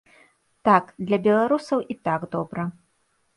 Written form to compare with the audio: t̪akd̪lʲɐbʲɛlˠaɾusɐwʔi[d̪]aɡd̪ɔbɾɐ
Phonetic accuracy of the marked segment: incorrect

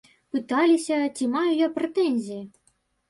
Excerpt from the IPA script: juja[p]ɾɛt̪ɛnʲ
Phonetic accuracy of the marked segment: correct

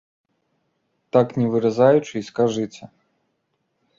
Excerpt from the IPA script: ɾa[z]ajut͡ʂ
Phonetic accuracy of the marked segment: correct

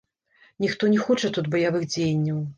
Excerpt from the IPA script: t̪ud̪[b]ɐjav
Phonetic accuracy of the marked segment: correct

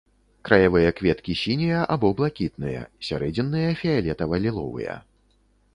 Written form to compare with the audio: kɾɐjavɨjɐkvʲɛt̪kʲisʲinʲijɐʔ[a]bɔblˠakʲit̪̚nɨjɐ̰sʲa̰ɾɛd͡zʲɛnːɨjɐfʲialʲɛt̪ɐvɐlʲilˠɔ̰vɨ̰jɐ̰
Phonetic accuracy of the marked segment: correct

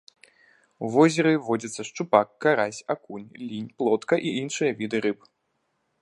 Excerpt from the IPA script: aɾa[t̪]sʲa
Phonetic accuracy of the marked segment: incorrect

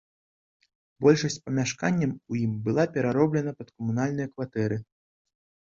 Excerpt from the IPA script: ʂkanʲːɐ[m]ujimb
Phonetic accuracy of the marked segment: correct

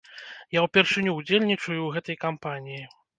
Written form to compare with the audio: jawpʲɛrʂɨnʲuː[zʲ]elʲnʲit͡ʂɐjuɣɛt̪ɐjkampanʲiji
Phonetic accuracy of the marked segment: incorrect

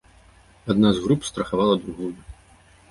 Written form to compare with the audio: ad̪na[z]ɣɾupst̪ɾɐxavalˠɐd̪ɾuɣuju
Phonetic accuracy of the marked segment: correct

